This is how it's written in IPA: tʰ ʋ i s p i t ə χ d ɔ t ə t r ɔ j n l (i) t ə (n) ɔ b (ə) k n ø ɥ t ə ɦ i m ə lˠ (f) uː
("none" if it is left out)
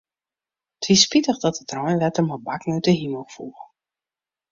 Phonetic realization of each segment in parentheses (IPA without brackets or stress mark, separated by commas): ɛ, m, a, f